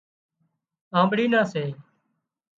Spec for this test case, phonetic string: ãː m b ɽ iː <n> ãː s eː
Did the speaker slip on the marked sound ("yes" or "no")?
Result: no